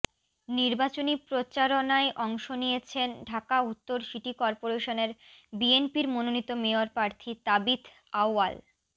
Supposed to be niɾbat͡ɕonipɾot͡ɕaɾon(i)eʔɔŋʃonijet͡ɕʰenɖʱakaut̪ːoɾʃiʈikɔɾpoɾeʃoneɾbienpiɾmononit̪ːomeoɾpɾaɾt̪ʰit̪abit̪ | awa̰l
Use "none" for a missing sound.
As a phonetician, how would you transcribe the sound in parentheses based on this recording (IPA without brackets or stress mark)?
a